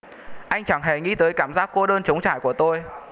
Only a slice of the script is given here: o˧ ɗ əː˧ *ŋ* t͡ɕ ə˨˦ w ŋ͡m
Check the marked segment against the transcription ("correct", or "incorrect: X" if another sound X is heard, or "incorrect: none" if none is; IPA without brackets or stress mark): incorrect: n